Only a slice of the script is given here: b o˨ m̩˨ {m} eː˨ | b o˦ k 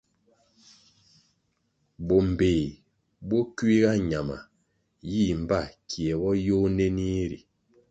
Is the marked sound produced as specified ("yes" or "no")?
no